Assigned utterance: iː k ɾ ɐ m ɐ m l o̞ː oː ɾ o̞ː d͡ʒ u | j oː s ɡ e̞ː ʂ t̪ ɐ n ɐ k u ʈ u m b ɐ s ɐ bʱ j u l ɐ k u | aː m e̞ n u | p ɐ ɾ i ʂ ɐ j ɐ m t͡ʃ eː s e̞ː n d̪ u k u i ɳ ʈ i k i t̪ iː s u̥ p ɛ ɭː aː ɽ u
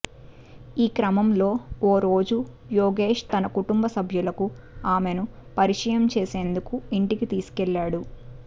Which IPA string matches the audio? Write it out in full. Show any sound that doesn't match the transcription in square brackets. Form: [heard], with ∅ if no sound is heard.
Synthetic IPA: iː k ɾ ɐ m ɐ m l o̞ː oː ɾ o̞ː d͡ʒ u | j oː [∅] ɡ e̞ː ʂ t̪ ɐ n ɐ k u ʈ u m b ɐ s ɐ bʱ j u l ɐ k u | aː m e̞ n u | p ɐ ɾ i ʂ ɐ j ɐ m t͡ʃ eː s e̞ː n d̪ u k u i ɳ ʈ i k i t̪ iː s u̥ [k] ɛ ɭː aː ɽ u